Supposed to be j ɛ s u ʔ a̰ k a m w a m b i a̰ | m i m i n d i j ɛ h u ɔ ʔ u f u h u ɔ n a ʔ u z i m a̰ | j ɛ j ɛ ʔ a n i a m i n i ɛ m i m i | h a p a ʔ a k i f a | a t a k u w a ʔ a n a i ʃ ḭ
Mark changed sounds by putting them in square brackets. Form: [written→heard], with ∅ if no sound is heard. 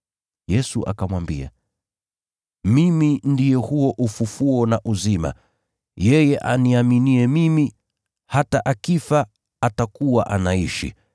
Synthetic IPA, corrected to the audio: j ɛ s u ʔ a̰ k a m w a m b i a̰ | m i m i n d i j ɛ h u ɔ ʔ u f u [h→f] u ɔ n a ʔ u z i m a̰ | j ɛ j ɛ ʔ a n i a m i n i ɛ m i m i | h a [p→t] a ʔ a k i f a | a t a k u w a ʔ a n a i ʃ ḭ